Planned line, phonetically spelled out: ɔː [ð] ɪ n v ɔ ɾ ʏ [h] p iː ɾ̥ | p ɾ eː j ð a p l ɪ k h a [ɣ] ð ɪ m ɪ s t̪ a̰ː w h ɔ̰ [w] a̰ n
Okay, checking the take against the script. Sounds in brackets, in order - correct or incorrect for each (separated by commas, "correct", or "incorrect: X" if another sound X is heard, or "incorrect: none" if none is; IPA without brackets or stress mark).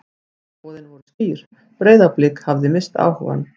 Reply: correct, incorrect: s, incorrect: v, incorrect: v